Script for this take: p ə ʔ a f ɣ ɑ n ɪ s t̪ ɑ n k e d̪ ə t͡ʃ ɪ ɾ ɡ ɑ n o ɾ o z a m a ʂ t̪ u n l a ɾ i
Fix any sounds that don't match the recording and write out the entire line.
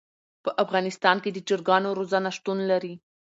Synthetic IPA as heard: p ə ʔ a f ɣ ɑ n ɪ s t̪ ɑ n k e d̪ ə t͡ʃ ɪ ɾ ɡ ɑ n o ɾ o z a n a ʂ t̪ u n l a ɾ i